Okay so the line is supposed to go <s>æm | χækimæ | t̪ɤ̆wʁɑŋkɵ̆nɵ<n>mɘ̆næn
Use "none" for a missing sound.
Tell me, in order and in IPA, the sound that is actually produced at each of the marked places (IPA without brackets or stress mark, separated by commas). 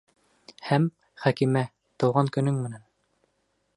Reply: h, ŋ